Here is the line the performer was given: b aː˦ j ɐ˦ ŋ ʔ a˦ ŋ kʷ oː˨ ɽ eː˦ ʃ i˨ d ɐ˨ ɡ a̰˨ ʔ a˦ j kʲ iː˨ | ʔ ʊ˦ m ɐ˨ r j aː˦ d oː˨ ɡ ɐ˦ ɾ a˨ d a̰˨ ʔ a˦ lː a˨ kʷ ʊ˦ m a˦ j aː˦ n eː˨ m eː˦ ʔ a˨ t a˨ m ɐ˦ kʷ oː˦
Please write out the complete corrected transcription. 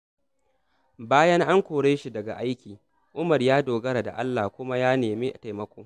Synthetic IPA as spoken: b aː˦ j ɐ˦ ŋ ʔ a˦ ŋ kʷ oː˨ ɽ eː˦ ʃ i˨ d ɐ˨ ɡ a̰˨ ʔ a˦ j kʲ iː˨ | ʔ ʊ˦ m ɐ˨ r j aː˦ d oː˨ ɡ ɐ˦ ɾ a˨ d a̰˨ ʔ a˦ lː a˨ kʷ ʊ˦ m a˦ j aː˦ n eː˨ m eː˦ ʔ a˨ t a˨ m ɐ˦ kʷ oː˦